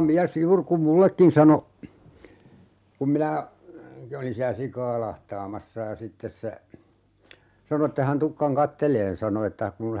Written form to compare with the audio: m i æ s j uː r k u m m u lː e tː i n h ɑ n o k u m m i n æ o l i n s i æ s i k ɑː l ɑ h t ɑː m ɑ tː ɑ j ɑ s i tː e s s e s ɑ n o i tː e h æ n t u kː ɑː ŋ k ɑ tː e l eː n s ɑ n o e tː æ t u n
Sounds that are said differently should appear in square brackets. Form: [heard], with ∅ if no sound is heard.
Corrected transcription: m i æ s j uː r k u m m u lː e [kː] i n [s] ɑ n o k u m m i n æ o l i n s i æ s i k ɑː l ɑ h t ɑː m ɑ [sː] ɑ j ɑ s i tː e s s e s ɑ n o [e] tː e h æ n t u kː [ɑ] ŋ k ɑ tː e l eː n s ɑ n o e tː æ [k] u n